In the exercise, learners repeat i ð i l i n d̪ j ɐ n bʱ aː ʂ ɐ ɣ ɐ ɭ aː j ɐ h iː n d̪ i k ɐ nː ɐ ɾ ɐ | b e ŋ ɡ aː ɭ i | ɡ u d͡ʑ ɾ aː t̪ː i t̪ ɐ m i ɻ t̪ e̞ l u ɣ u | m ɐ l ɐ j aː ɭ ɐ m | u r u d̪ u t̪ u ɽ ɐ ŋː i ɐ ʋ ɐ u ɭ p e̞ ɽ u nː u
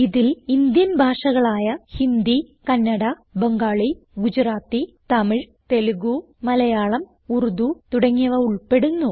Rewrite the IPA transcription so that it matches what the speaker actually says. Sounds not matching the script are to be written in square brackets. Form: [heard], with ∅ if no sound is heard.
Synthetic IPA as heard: i ð i l i n d̪ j ɐ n bʱ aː ʂ ɐ ɣ ɐ ɭ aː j ɐ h [i] n d̪ i k ɐ nː ɐ [ɽ] ɐ | b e ŋ ɡ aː ɭ i | ɡ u d͡ʑ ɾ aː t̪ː i t̪ ɐ m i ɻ t̪ e̞ l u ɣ u | m ɐ l ɐ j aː ɭ ɐ m | u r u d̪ u t̪ u ɽ ɐ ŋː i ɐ ʋ ɐ u ɭ p e̞ ɽ u nː u

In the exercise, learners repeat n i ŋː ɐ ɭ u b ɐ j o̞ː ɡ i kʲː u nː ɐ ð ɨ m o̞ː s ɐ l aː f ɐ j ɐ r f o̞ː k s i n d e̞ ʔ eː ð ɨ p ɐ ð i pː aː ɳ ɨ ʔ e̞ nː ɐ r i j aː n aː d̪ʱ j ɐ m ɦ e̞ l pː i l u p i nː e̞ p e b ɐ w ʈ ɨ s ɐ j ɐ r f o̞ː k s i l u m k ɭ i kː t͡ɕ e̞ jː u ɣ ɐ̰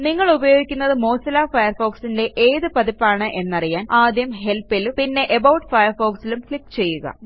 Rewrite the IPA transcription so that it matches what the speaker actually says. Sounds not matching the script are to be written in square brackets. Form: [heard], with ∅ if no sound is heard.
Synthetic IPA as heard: n i ŋː ɐ ɭ u b ɐ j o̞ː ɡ i kʲː u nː ɐ ð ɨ m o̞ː s ɐ l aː f ɐ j ɐ r f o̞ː k s i n d e̞ ʔ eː ð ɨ p ɐ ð i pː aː ɳ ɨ ʔ e̞ nː ɐ r i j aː n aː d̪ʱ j ɐ m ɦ e̞ l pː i l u p i nː e̞ [ʔ] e b ɐ w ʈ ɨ [f] ɐ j ɐ r f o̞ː k s i l u m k ɭ i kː t͡ɕ e̞ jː u ɣ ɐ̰

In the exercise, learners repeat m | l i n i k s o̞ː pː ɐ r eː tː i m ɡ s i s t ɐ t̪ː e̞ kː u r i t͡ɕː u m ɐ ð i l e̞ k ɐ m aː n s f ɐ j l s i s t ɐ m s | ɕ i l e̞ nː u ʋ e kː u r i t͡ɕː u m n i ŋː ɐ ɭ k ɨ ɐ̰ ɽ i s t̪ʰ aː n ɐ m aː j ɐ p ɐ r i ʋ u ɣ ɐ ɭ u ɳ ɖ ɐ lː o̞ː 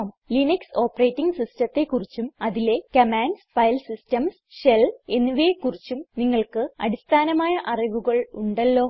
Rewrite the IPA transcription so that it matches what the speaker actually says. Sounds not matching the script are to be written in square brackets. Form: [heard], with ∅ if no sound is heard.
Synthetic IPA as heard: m | l i n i k s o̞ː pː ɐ r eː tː i [ŋ] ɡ s i s t ɐ t̪ː e̞ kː u r i t͡ɕː u m ɐ ð i l e̞ k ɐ m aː n s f ɐ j l s i s t ɐ m s | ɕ [e] l e̞ nː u ʋ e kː u r i t͡ɕː u m n i ŋː ɐ ɭ k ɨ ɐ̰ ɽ i s t̪ʰ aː n ɐ m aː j ɐ [ʔ] ɐ r i ʋ u ɣ ɐ ɭ u ɳ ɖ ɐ lː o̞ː

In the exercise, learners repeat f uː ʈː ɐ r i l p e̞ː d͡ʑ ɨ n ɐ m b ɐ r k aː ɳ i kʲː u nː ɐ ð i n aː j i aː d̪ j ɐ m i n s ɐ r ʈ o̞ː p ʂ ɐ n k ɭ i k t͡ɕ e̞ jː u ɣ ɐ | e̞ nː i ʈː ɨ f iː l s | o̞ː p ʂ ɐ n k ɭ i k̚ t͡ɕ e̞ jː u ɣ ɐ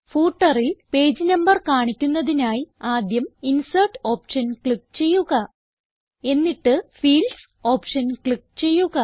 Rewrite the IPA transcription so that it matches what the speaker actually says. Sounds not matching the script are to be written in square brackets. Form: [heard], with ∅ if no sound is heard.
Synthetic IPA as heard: f uː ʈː ɐ r i l p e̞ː d͡ʑ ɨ n ɐ m b ɐ r k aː ɳ i kʲː u nː ɐ ð i n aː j i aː d̪ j ɐ m i n s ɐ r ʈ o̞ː p ʂ ɐ n k ɭ i k t͡ɕ e̞ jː u ɣ ɐ | e̞ nː i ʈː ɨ f iː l s | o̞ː p ʂ ɐ n k ɭ i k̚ t͡ɕ e̞ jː u ɣ ɐ

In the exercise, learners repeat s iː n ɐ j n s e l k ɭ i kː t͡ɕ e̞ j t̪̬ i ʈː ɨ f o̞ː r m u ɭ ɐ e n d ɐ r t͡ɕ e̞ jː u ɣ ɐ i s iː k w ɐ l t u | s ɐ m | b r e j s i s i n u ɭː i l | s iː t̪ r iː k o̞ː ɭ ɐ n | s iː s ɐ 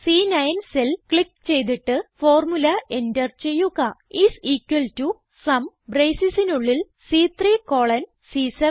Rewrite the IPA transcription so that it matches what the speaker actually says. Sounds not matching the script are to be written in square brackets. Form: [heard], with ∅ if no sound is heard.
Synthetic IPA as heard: s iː n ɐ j n s e l k ɭ i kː t͡ɕ e̞ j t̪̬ i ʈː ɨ f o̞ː r m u [l] ɐ e n d ɐ r t͡ɕ e̞ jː u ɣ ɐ i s iː k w ɐ l t u | s ɐ m | b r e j s i s i n u ɭː i l | s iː t̪ r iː k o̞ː ɭ ɐ n | s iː s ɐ

